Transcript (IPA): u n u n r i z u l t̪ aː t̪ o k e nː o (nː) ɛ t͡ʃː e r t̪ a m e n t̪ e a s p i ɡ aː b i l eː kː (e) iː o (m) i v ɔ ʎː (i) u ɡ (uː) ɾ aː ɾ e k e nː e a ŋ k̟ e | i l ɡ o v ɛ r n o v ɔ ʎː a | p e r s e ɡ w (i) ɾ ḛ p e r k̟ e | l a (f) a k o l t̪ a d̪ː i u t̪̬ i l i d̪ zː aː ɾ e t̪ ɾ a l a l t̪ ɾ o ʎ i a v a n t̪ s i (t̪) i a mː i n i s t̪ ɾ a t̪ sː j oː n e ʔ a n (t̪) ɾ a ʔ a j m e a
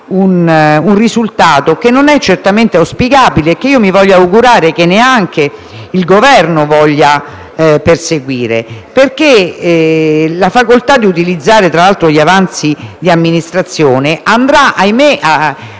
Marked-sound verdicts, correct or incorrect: incorrect: n, correct, correct, incorrect: a, incorrect: u, incorrect: iː, correct, incorrect: d̪, incorrect: d̪

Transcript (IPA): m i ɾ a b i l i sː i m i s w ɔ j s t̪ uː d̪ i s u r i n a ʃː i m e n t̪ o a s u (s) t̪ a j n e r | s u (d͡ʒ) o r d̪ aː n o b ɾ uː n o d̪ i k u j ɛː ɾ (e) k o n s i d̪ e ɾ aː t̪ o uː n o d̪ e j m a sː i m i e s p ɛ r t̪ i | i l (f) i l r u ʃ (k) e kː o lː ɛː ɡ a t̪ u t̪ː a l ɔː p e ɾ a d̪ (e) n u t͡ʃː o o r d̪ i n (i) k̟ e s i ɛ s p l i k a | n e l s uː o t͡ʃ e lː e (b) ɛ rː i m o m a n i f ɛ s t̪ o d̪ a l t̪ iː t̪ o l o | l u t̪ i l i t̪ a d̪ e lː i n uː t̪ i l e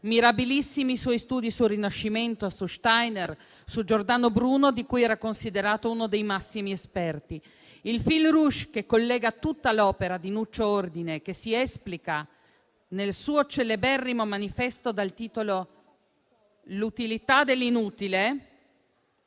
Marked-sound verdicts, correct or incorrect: incorrect: ʃ, correct, incorrect: a, correct, correct, incorrect: i, incorrect: e, correct

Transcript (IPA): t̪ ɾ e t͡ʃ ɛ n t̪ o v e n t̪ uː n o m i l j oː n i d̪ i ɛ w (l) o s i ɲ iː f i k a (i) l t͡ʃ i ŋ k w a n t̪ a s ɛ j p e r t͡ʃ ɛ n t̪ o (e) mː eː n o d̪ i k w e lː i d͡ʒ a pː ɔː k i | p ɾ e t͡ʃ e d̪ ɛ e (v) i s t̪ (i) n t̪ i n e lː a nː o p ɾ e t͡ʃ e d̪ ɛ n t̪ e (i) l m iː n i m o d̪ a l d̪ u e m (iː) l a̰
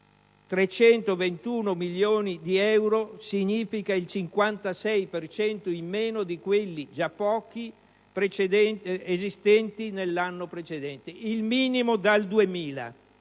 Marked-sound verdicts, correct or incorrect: incorrect: ɾ, correct, incorrect: i, incorrect: z, incorrect: ɛ, correct, correct

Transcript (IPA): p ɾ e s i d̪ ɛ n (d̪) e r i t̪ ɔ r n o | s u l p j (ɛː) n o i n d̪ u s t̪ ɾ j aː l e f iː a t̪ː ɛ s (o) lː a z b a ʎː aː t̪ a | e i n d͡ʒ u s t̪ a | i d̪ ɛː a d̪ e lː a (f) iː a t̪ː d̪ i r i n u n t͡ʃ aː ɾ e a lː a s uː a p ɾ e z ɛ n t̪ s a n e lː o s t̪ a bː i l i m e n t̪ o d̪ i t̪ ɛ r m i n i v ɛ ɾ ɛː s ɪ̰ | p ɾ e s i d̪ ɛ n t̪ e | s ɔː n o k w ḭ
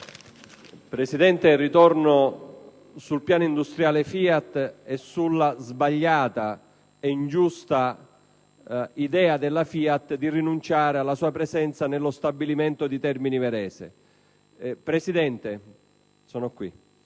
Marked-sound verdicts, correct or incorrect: incorrect: t̪, incorrect: aː, incorrect: u, correct

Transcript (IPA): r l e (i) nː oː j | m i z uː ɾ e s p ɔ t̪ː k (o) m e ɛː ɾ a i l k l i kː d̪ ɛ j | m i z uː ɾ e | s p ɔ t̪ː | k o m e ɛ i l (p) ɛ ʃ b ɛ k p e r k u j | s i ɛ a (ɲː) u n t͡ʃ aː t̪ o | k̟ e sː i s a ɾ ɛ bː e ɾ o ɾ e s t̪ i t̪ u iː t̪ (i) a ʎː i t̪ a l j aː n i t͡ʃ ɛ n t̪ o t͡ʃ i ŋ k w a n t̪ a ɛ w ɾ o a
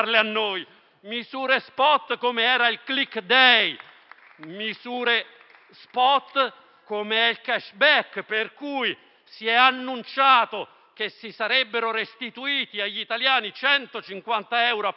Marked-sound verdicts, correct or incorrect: incorrect: a, correct, incorrect: k, incorrect: nː, correct

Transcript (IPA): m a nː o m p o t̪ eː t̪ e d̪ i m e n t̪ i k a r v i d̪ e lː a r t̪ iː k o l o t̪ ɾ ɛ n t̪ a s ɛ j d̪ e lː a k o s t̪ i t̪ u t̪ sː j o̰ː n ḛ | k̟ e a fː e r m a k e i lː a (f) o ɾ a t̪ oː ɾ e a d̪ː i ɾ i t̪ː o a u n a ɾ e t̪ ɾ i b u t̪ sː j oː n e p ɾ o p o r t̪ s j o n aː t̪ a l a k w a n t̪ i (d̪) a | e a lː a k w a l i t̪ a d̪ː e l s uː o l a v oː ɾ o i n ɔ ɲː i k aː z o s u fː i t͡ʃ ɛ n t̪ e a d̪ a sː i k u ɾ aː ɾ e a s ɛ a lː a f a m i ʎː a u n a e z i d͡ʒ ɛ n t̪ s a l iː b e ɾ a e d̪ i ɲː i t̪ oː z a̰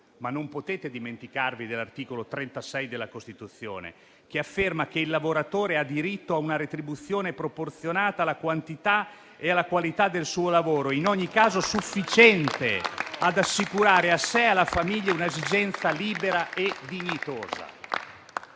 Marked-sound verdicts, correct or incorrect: incorrect: v, incorrect: t̪

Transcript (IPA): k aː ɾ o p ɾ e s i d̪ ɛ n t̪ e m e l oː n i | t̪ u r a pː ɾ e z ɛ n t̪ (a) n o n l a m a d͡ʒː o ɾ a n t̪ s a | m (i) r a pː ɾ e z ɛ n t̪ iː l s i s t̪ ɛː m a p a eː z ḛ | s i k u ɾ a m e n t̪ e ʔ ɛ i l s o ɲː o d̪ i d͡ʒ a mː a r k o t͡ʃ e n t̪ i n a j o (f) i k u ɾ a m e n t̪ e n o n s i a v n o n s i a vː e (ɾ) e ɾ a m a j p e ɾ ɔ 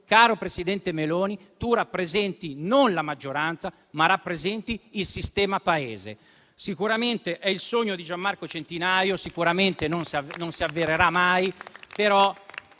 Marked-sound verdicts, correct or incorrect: incorrect: i, incorrect: a, incorrect: s, correct

